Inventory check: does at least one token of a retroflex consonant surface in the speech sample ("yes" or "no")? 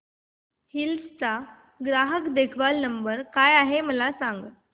no